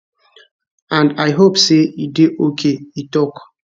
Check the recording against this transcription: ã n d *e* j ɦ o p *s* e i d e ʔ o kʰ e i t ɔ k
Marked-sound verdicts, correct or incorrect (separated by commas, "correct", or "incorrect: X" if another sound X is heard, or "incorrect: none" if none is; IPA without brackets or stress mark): incorrect: a, correct